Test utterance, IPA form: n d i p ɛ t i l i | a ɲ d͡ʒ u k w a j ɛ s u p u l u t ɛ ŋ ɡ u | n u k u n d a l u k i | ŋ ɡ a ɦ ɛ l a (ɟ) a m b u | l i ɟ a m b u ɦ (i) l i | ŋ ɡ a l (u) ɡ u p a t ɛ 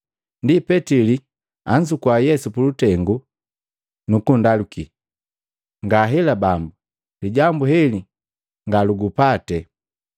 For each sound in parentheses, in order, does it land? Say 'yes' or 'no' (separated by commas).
no, no, yes